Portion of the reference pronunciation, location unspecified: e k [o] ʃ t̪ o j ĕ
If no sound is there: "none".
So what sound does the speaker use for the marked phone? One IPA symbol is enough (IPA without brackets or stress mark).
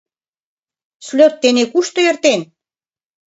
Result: u